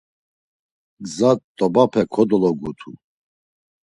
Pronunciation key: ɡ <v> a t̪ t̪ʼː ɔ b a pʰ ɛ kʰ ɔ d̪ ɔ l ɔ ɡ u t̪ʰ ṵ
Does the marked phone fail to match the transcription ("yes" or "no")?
yes